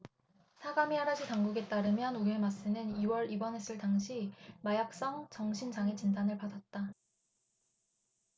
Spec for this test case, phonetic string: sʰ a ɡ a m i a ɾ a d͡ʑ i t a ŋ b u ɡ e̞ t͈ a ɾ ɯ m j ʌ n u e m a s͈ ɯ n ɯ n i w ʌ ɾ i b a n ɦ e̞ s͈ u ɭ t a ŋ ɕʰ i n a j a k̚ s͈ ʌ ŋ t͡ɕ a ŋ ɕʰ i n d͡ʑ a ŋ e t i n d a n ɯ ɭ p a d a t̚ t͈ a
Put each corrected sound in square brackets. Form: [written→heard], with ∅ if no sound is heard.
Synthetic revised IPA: sʰ a ɡ a m i a ɾ a d͡ʑ i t a ŋ [b→ɡ] u ɡ e̞ t͈ a ɾ ɯ m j ʌ n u e m a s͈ ɯ n ɯ n i w ʌ ɾ i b [a→ʌ] n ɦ e̞ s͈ [u→ɯ] ɭ t a ŋ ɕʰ i [n→m] a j a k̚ s͈ ʌ ŋ t͡ɕ [a→ʌ] ŋ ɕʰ i n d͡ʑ a ŋ e [t→t͡ɕ] i n d a n ɯ ɭ p a d a t̚ t͈ a